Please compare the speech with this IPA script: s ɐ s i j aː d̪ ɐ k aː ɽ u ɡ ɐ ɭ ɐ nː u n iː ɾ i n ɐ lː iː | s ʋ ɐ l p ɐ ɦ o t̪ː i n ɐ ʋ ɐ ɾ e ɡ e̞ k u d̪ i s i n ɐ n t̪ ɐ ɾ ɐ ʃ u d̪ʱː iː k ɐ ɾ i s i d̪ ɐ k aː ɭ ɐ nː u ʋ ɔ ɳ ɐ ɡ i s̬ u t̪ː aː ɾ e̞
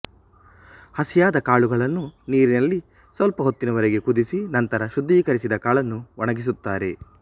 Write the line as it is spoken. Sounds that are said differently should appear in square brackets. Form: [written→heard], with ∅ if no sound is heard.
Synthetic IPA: [s→h] ɐ s i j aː d̪ ɐ k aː [ɽ→ɭ] u ɡ ɐ ɭ ɐ nː u n iː ɾ i n ɐ lː [iː→i] | s ʋ ɐ l p ɐ ɦ o t̪ː i n ɐ ʋ ɐ ɾ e ɡ e̞ k u d̪ i s i n ɐ n t̪ ɐ ɾ ɐ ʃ u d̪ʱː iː k ɐ ɾ i s i d̪ ɐ k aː ɭ ɐ nː u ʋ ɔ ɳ ɐ ɡ i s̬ u t̪ː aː ɾ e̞